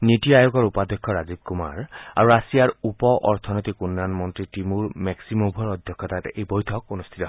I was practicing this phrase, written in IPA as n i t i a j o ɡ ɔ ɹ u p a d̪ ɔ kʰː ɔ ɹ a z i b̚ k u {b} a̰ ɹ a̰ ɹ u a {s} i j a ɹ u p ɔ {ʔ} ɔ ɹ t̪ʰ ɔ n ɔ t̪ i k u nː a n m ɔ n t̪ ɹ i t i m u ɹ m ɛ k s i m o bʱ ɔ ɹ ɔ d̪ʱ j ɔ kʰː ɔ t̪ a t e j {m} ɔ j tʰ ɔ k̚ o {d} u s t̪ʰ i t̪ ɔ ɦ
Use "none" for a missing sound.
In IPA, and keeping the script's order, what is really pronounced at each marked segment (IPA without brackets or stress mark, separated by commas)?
m, s, ʔ, b, n